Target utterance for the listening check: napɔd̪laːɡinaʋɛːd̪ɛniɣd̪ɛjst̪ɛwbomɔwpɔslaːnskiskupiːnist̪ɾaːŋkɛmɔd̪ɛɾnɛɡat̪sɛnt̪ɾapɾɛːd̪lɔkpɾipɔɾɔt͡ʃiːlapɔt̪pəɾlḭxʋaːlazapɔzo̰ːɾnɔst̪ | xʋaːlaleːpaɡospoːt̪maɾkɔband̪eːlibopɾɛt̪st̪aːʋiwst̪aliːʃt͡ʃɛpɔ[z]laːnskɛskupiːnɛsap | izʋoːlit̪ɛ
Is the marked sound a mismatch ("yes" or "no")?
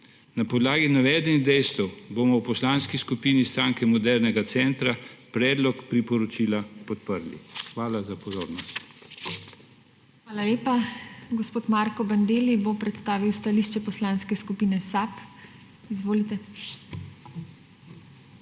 yes